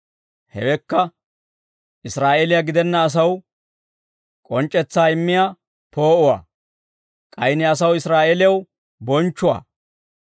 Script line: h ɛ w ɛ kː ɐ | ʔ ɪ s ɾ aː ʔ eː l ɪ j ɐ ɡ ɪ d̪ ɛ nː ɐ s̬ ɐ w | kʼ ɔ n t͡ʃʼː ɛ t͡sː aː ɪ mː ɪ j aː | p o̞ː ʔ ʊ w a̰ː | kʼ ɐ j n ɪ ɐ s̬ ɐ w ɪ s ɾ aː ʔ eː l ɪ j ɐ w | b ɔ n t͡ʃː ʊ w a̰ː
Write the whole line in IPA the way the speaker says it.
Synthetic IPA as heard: h ɛ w ɛ kː ɐ | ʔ ɪ s ɾ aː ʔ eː l ɪ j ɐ ɡ ɪ d̪ ɛ nː ɐː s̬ ɐ w | kʼ ɔ n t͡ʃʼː ɛ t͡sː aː ɪ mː ɪ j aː | p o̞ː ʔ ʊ w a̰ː | kʼ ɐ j n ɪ ɐ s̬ ɐ w ɪ s ɾ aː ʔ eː l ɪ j ɐ w | b ɔ n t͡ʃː ʊ w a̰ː